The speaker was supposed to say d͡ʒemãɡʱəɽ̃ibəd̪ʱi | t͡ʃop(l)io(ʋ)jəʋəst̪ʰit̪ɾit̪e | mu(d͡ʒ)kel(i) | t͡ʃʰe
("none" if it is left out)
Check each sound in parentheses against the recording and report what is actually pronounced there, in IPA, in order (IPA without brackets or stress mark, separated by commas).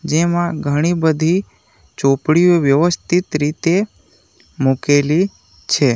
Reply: ɽ, ʋ, none, i